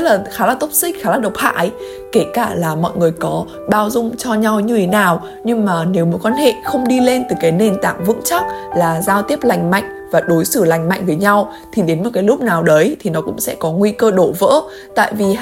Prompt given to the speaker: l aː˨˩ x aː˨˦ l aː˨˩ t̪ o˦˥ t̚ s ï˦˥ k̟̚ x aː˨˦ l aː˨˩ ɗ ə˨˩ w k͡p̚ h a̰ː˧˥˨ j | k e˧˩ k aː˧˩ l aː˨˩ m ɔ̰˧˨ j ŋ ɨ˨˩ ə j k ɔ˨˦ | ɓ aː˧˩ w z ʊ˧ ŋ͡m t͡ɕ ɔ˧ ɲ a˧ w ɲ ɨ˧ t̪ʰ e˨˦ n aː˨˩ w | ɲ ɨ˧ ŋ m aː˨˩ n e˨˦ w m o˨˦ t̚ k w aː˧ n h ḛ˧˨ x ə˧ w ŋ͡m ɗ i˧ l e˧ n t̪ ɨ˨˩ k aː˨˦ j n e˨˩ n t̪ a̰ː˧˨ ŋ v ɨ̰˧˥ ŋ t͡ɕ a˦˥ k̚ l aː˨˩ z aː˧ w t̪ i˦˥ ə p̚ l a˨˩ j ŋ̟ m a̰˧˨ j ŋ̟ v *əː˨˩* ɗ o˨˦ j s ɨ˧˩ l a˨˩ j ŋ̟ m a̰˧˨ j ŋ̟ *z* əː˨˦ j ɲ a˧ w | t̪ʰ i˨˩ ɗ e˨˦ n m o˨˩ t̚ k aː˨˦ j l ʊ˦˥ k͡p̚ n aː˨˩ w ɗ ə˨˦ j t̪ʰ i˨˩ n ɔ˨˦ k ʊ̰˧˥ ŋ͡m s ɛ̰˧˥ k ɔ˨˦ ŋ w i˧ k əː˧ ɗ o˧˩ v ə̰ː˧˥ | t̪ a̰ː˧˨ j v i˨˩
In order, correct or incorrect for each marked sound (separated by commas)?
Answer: incorrect, incorrect